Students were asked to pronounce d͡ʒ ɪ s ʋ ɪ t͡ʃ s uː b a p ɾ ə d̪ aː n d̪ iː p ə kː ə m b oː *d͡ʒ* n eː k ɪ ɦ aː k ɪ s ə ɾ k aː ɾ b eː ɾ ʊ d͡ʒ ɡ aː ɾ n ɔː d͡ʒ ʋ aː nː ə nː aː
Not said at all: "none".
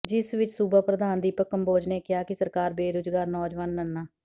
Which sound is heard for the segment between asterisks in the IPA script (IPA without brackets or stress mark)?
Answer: d͡ʒ